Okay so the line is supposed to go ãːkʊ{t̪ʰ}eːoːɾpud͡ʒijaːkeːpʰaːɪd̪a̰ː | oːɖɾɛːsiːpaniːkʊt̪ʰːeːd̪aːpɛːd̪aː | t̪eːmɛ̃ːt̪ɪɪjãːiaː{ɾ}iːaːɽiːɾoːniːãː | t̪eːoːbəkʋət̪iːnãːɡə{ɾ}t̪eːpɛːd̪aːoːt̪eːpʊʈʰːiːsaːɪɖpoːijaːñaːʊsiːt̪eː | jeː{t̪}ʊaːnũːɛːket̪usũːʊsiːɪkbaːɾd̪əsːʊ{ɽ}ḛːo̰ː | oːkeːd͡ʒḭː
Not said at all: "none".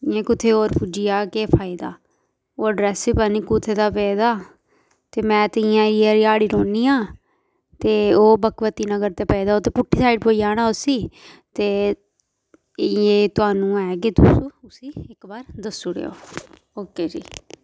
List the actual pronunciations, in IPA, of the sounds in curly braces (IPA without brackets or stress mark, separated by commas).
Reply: t̪ʰ, ɾ, ɾ, t̪, ɽ